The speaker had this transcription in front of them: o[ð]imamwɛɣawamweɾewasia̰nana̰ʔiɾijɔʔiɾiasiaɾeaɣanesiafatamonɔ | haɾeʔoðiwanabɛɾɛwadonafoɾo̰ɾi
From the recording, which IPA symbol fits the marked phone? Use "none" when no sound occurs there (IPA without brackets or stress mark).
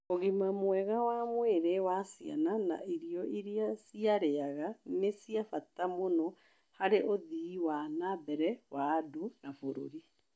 ɣ